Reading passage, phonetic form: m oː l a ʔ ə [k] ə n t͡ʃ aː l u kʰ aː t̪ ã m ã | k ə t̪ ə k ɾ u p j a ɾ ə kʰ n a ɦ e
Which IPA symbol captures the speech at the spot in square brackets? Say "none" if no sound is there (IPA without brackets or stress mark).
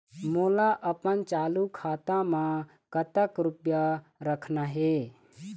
p